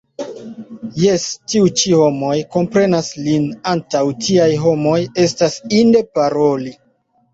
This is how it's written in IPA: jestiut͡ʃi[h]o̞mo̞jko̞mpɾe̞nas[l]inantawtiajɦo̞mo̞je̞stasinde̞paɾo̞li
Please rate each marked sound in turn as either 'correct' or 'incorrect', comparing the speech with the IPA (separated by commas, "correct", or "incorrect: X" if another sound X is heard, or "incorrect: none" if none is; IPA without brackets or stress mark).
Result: correct, correct